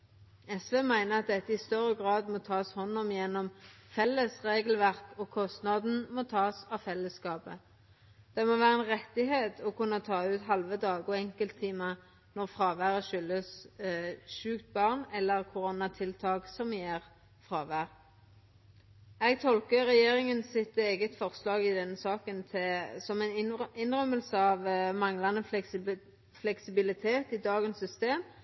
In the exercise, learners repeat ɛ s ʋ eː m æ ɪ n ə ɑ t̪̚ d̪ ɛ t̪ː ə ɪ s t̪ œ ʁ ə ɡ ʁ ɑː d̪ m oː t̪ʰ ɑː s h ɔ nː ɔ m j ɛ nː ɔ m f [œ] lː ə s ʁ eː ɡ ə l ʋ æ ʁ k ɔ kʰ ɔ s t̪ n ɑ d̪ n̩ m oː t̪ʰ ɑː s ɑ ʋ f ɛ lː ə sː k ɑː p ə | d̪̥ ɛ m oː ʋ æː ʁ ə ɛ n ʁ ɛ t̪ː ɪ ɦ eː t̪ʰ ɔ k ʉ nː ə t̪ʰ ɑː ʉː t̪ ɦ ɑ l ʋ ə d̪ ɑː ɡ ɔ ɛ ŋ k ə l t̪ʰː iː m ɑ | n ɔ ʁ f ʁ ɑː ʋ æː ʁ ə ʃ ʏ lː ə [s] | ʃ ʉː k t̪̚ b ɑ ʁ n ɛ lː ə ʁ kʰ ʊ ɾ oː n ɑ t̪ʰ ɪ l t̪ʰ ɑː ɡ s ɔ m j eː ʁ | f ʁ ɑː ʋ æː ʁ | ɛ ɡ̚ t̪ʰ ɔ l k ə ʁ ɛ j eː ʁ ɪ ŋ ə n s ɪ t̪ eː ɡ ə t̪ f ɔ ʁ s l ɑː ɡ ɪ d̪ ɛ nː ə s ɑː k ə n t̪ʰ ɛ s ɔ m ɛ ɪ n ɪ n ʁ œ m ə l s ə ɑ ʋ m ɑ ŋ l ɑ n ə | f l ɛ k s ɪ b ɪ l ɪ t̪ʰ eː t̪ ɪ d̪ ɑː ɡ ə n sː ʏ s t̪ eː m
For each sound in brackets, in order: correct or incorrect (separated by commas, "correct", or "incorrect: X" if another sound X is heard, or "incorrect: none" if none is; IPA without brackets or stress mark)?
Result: incorrect: ɛ, correct